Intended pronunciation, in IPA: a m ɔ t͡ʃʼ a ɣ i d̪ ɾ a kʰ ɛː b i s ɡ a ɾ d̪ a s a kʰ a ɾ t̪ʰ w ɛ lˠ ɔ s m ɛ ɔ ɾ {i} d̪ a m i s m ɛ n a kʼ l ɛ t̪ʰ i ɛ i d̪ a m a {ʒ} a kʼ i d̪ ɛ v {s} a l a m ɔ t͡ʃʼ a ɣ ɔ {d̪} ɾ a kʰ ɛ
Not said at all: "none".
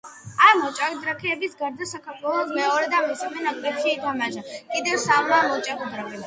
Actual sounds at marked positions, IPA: ɛ, ʒ, s, d̪

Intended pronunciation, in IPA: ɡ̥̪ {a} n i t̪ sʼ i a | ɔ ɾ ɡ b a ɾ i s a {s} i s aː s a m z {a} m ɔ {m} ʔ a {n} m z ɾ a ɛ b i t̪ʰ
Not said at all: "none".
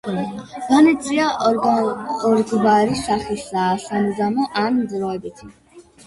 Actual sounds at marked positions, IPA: a, χ, a, none, n

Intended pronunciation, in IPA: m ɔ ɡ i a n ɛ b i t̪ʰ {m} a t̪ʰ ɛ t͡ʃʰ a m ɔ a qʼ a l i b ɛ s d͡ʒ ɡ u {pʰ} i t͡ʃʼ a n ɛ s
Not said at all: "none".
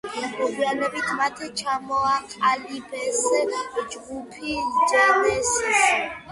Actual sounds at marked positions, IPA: m, pʰ

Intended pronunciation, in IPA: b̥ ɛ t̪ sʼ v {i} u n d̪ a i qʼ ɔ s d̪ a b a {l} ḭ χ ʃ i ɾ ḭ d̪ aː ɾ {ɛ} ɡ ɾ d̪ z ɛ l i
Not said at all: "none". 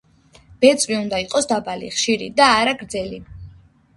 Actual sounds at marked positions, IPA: i, l, a

